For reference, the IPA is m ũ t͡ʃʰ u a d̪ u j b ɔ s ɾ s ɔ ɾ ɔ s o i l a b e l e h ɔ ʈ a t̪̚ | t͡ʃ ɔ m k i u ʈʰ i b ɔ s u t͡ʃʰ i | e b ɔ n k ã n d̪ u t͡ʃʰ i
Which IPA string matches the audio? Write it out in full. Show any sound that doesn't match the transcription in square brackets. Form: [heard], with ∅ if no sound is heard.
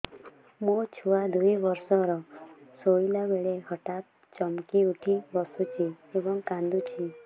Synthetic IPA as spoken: m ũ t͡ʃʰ u a d̪ u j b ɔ [∅] ɾ s ɔ ɾ ɔ s o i l a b e [ɭ] e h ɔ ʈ a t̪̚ | t͡ʃ ɔ m k i u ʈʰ i b ɔ s u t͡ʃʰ i | e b ɔ [ŋ] k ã n d̪ u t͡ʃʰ i